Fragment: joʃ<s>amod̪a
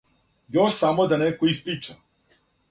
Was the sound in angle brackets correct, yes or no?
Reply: yes